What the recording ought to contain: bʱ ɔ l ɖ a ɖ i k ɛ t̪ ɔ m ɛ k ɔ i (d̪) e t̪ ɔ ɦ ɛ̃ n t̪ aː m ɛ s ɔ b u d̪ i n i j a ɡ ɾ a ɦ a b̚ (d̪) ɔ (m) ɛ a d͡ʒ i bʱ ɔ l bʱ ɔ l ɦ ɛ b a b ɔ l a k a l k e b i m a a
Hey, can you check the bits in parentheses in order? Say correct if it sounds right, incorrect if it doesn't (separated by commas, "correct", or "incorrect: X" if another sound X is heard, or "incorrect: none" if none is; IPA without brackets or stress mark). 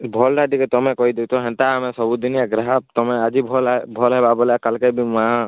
correct, incorrect: t̪, correct